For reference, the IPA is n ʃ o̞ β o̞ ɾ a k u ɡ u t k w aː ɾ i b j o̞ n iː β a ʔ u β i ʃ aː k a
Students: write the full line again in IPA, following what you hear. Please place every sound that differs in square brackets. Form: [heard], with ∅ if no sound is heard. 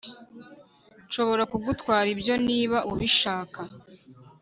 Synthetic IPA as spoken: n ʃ o̞ β o̞ ɾ a k u ɡ u t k w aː ɾ i b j o̞ n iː β a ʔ u β i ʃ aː k a